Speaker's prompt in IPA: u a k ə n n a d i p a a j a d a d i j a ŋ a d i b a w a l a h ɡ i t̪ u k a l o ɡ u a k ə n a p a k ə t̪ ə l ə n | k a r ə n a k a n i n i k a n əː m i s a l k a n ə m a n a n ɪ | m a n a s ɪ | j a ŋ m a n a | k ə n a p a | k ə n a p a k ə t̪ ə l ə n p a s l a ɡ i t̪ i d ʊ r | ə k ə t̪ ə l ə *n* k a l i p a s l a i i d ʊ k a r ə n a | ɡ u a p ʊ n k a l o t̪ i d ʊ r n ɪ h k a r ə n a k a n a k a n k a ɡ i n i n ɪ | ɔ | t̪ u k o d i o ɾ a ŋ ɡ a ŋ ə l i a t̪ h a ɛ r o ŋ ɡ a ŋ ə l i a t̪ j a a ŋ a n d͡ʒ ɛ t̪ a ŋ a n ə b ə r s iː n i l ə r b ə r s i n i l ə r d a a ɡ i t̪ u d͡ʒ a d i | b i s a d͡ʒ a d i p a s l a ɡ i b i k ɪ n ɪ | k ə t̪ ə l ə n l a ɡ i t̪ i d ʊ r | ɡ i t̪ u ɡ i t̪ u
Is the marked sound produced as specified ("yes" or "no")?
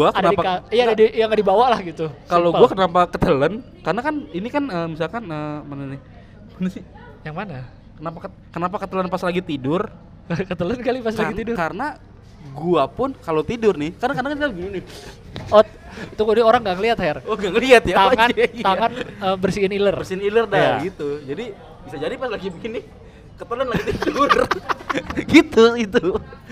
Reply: yes